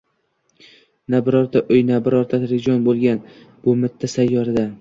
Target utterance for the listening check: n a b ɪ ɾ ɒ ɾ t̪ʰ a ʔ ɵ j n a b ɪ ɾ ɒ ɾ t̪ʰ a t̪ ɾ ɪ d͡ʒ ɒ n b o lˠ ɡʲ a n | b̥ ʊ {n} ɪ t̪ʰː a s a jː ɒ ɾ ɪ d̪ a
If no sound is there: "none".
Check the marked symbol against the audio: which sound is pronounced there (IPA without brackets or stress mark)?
m